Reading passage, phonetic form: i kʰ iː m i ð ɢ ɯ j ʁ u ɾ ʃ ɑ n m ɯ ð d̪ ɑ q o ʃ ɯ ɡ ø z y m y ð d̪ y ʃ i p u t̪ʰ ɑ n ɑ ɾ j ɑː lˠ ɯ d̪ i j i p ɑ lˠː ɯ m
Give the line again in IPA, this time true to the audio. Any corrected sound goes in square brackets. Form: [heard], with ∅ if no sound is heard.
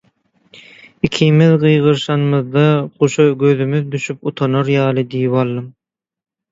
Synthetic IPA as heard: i kʰ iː m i ð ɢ ɯ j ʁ [ɯ] ɾ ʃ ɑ n m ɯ ð d̪ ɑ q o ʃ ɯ ɡ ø [ð] y m y ð d̪ y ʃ [y] p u t̪ʰ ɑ n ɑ ɾ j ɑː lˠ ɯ d̪ i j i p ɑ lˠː ɯ m

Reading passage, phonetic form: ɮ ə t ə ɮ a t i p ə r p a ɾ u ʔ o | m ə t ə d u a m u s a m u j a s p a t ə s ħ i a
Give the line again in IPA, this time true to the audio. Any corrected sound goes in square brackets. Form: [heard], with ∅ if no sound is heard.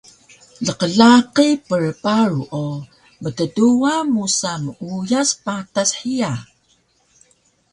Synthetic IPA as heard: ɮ ə [q] ə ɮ a [q] i p ə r p a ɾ u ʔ o | m ə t ə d u a m u s a m u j a s p a t [a] s ħ i a

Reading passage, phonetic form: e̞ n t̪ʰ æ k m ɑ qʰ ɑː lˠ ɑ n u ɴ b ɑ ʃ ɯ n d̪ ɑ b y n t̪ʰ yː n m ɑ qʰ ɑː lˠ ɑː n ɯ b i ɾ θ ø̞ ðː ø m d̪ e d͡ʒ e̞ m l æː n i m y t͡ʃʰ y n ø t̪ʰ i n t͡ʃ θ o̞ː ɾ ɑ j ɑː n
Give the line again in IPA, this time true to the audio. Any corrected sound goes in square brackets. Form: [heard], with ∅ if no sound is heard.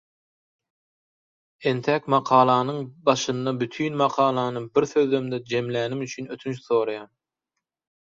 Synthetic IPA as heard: e̞ n t̪ʰ æ k m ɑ qʰ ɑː lˠ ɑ n [ɯ] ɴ b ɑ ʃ ɯ n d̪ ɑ b y [∅] t̪ʰ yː n m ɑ qʰ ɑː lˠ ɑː n ɯ b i ɾ θ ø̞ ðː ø m d̪ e d͡ʒ e̞ m l æː n i m y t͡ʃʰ y n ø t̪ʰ [y] n t͡ʃ θ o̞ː ɾ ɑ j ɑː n

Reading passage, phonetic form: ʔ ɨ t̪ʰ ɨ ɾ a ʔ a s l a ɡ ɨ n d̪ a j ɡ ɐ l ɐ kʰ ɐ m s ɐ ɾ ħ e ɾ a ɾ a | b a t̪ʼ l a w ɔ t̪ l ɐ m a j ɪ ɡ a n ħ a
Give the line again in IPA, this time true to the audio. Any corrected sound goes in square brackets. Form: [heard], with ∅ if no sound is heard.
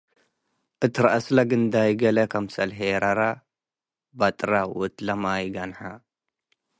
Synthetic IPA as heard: ʔ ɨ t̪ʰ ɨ ɾ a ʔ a s l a ɡ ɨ n d̪ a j ɡ ɐ l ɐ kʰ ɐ m s ɐ [l] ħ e ɾ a ɾ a | b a t̪ʼ [ɾ] a w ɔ t̪ l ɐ m a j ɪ ɡ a n ħ a

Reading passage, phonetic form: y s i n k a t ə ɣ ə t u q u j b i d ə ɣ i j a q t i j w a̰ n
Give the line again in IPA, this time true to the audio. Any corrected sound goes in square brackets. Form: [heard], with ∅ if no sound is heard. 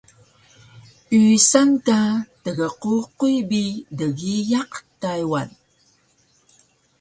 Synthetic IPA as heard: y s [a] n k a t ə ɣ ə [q] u q u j b i d ə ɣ i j a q t [a] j w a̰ n

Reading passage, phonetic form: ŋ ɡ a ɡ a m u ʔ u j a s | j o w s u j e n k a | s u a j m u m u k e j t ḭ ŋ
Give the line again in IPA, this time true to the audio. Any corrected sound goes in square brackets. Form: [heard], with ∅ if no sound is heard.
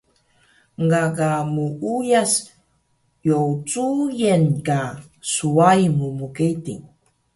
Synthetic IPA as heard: ŋ ɡ a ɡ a m u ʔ u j a s | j o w [t͡s] u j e n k a | s u a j m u m u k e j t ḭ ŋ

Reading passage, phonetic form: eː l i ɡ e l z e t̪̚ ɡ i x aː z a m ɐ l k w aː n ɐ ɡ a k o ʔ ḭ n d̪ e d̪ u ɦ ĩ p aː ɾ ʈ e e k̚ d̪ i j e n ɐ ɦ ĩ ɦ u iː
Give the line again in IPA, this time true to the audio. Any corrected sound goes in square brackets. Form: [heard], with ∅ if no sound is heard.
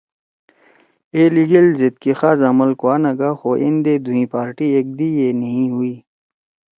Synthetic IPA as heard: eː l i ɡ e l z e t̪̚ [k] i x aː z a m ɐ l k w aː n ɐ ɡ a [x] o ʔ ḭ n d̪ e d̪ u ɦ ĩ p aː ɾ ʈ [i] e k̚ d̪ i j e n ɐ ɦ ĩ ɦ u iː

